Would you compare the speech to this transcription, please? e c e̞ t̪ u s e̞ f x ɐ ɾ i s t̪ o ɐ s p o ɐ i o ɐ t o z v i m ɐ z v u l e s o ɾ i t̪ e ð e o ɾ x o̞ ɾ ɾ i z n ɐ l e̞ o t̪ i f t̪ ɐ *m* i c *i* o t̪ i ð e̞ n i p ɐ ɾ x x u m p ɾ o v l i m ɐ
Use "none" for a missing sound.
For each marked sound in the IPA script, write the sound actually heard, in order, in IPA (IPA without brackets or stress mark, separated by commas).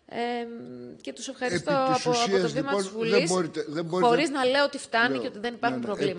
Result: n, e